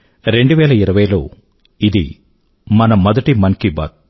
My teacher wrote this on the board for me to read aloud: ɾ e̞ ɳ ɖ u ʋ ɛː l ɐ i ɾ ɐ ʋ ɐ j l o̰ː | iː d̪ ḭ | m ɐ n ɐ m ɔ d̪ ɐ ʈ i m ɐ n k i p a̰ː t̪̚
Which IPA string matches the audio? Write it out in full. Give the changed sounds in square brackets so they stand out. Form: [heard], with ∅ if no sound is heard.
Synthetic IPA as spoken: ɾ e̞ ɳ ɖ u ʋ ɛː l ɐ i ɾ ɐ ʋ ɐ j l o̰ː | [i] d̪ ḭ | m ɐ n ɐ m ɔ d̪ ɐ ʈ i m ɐ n k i [b] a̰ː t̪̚